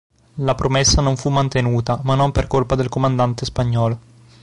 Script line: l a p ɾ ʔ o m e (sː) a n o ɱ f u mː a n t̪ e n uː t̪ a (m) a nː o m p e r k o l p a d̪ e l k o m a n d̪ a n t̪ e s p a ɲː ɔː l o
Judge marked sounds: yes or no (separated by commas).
yes, yes